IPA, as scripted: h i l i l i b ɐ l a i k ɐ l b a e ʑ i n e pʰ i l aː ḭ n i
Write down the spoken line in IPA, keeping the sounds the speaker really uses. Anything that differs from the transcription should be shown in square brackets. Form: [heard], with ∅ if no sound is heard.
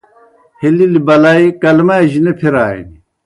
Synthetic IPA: h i l i l i b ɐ l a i k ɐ l [m] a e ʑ i n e pʰ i [ɾ] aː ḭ n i